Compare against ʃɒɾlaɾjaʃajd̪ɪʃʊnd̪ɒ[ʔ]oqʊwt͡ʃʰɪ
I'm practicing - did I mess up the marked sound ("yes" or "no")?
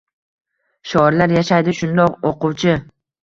yes